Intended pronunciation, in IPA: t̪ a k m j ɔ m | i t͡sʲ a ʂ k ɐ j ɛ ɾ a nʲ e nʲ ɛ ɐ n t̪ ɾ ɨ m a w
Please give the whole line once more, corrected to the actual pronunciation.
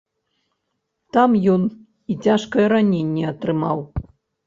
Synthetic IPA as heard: t̪ a m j ɔ n | i t͡sʲ a ʂ k ɐ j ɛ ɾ a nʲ e nʲː ɛ ɐ t̪ ɾ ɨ m a w